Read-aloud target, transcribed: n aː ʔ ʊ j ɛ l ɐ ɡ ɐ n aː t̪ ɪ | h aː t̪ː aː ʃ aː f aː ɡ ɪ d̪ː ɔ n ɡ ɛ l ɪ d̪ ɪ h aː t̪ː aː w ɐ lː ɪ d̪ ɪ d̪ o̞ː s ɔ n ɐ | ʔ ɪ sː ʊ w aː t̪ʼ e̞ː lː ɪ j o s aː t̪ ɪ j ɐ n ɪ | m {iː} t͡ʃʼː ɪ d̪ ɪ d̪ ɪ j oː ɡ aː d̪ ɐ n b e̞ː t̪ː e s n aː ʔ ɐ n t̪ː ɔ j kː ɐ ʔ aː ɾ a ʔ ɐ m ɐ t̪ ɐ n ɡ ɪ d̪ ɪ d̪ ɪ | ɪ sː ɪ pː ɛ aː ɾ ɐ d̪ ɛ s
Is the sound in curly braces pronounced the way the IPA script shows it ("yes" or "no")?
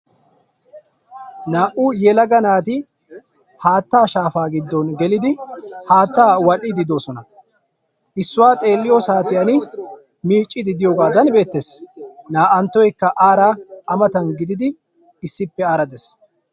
yes